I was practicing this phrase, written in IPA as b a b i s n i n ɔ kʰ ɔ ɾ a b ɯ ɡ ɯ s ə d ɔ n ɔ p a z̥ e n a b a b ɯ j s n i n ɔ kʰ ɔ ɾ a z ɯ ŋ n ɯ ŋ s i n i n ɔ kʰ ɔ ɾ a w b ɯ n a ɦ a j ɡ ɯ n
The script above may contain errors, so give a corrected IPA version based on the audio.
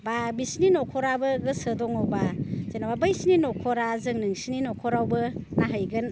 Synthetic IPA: b a b i s n i n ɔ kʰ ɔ ɾ a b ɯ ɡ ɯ s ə d ɔ ŋ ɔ b a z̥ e n a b a b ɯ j s n i n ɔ kʰ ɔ ɾ a z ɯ ŋ n ɯ ŋ s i n i n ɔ kʰ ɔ ɾ a w b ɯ n a ɦ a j ɡ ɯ n